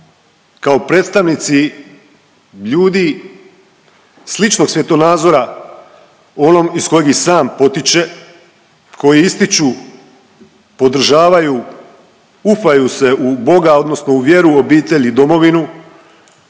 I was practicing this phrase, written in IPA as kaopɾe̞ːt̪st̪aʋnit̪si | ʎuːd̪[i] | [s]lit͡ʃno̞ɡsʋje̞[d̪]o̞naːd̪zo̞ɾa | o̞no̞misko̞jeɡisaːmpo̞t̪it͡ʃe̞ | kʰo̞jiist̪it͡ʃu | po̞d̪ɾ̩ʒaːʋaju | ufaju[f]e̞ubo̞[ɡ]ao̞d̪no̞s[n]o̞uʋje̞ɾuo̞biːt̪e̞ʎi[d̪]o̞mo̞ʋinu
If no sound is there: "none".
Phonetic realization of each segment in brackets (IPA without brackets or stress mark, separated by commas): i, s, t̪, s, ɡ, n, d̪